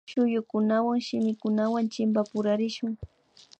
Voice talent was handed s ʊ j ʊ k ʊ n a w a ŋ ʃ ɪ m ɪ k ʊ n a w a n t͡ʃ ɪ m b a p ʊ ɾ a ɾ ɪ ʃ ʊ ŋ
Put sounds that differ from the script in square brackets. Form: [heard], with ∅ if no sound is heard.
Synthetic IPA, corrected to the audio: [ʃ] ʊ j ʊ k ʊ n a w a ŋ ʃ ɪ m ɪ k ʊ n a w a n t͡ʃ ɪ m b a p ʊ ɾ a ɾ ɪ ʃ ʊ ŋ